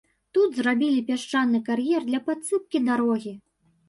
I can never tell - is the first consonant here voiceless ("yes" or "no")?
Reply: yes